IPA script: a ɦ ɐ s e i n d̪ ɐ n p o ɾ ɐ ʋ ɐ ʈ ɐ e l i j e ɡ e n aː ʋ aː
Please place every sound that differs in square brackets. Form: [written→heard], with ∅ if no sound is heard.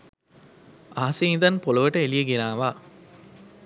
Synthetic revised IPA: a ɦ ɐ s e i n d̪ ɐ n p o [ɾ→l] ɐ ʋ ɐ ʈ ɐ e l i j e ɡ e n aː ʋ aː